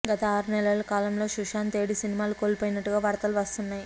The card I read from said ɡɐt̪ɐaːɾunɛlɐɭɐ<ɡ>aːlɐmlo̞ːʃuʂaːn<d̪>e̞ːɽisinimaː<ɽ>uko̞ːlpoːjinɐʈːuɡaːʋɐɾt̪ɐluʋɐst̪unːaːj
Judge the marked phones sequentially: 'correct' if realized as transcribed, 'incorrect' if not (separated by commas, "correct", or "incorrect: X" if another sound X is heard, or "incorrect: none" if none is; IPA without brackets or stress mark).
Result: incorrect: k, incorrect: t̪, incorrect: l